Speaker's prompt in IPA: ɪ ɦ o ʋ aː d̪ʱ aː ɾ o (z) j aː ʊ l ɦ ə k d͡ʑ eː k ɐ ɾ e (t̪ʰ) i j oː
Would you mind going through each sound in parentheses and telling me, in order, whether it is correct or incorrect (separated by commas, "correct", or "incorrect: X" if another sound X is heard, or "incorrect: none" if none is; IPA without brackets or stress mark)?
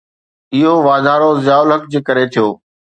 correct, correct